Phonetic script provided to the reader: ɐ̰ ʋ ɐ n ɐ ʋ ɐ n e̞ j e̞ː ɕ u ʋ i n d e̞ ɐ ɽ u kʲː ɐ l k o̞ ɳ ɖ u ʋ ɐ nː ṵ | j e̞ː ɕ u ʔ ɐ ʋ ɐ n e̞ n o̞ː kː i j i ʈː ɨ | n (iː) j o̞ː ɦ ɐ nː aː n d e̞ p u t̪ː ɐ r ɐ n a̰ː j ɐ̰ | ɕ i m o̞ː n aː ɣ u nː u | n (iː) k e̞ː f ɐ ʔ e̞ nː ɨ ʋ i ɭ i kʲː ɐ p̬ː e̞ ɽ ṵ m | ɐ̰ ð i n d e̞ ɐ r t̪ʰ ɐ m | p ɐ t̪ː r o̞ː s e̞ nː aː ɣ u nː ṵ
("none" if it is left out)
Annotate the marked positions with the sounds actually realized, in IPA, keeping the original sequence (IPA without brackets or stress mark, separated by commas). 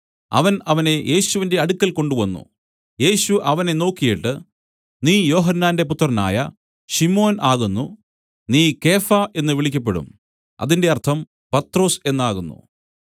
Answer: iː, iː